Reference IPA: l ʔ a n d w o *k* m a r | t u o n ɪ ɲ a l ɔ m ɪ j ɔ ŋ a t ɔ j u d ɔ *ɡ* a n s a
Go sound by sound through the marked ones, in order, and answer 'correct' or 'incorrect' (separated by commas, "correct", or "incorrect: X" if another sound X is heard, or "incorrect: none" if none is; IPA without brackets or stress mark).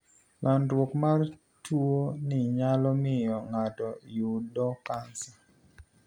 correct, incorrect: k